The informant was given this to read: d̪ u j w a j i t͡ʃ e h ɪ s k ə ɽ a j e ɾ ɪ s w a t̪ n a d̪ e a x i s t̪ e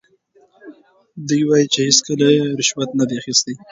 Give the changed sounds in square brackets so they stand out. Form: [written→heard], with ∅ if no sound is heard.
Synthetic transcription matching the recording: d̪ u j w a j i t͡ʃ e h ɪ s k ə [ɽ→l] a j e ɾ ɪ [s→ʃ] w a t̪ n a d̪ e a x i s t̪ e